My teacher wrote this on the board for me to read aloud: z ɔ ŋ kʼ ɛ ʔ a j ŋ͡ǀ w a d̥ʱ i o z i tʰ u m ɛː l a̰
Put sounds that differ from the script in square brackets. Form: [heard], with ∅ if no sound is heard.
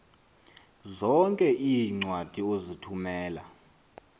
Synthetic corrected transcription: z ɔ ŋ kʼ ɛ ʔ [i] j ŋ͡ǀ w a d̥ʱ i o z i tʰ u m ɛː l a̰

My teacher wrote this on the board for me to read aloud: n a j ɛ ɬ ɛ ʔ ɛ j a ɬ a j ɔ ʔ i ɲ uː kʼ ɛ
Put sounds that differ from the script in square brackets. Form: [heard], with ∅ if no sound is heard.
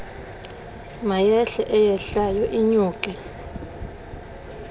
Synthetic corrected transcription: [m] a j ɛ ɬ ɛ ʔ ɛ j [ɛ] ɬ a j ɔ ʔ i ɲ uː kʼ ɛ

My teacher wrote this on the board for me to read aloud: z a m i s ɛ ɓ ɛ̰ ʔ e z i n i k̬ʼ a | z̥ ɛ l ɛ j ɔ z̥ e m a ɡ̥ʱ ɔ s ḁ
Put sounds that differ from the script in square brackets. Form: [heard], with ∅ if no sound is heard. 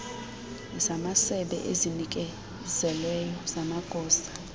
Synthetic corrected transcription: z a m [a] s ɛ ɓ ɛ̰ ʔ e z i n i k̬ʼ [ɛ] | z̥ ɛ l ɛ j ɔ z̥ [a] m a ɡ̥ʱ [ɔː] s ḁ

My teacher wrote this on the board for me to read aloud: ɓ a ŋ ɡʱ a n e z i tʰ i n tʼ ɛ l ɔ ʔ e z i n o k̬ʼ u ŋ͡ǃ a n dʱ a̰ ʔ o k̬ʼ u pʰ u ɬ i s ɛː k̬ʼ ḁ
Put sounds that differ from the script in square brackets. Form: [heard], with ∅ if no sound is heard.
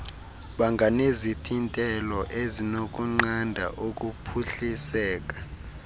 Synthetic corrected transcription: ɓ a ŋ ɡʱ a n e z i tʰ i n tʼ ɛ l ɔ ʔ e z i n o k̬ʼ u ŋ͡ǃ a n dʱ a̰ ʔ o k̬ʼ u pʰ u ɬ i s ɛː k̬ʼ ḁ

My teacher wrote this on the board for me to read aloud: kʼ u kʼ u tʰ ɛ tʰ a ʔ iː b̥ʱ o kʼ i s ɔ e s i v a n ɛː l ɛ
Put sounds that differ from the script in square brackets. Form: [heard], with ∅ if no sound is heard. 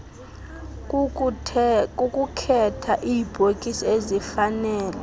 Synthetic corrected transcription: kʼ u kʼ u [kʰ] ɛ tʰ a ʔ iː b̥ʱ o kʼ i s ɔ e [z] i [f] a n ɛː l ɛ

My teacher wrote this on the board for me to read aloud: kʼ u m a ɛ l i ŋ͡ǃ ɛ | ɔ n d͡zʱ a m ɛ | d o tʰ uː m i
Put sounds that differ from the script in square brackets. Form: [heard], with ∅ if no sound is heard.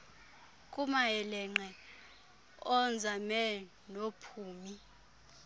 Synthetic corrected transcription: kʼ u m a ɛ l [ɛ] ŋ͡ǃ ɛ | ɔ n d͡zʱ a m ɛ | [n] o [pʰ] uː m i

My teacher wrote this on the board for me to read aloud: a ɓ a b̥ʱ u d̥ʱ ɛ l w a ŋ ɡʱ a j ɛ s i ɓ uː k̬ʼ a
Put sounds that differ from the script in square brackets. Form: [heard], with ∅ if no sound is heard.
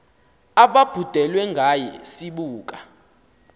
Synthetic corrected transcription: a ɓ a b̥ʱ u d̥ʱ ɛ l w [ɛ] ŋ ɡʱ a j ɛ s i ɓ uː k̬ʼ a

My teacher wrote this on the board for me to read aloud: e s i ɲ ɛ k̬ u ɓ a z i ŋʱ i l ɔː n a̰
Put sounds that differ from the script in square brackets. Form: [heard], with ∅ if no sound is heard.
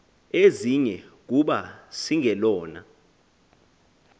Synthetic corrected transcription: e [z] i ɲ ɛ k̬ u ɓ a [s] i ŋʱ [ɛ] l ɔː n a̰

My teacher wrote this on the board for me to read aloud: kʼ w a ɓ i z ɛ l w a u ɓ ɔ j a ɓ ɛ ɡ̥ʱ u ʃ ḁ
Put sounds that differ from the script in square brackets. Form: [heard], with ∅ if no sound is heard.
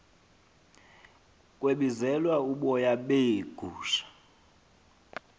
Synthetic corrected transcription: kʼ w [e] ɓ i z ɛ l w a u ɓ ɔ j a ɓ [e] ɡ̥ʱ [uː] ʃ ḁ

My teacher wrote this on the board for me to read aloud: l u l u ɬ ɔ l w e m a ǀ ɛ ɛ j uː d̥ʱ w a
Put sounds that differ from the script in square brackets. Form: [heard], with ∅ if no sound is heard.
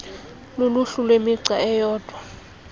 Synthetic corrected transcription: l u l u ɬ [u] l w e m [i] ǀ [a] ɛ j [ɔː] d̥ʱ w a

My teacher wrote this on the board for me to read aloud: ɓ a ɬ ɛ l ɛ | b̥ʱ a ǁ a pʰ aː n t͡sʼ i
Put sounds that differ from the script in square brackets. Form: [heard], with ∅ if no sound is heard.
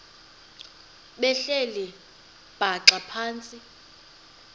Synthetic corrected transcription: ɓ [ɛ] ɬ ɛ l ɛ | b̥ʱ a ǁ a pʰ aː n t͡sʼ i

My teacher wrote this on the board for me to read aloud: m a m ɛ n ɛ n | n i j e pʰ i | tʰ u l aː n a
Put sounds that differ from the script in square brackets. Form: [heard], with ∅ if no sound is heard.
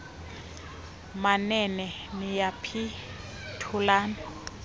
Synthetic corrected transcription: m a [n] ɛ n ɛ [∅] | n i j [a] pʰ i | tʰ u l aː n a

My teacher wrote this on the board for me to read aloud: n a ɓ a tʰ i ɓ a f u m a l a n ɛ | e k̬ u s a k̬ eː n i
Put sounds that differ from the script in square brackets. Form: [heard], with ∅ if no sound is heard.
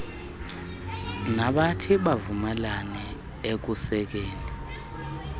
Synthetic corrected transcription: n a ɓ a tʰ i ɓ a [v] u m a l a n ɛ | e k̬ u s [ɛ] k̬ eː n i

